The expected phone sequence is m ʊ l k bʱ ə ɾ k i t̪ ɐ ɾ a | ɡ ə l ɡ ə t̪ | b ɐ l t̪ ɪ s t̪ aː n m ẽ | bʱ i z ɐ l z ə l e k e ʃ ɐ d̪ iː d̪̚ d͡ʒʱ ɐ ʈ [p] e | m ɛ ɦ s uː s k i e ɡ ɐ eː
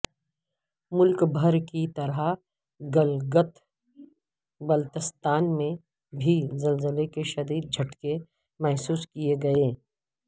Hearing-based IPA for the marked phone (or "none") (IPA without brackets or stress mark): k